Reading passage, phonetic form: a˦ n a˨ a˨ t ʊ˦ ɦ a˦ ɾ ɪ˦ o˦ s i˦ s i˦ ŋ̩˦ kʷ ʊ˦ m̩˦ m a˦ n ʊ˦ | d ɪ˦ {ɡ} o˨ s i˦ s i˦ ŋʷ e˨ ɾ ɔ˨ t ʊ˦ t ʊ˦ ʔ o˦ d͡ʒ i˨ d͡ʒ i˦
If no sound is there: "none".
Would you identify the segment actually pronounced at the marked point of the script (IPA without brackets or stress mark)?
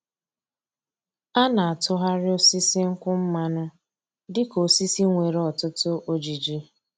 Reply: k